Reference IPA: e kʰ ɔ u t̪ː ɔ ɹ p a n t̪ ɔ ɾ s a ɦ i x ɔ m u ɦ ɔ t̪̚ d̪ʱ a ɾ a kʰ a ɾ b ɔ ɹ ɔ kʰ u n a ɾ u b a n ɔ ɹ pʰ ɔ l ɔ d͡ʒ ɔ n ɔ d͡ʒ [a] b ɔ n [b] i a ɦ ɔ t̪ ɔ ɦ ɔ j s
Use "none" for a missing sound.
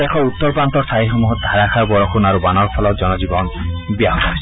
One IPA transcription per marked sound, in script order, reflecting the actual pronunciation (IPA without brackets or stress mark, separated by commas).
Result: i, b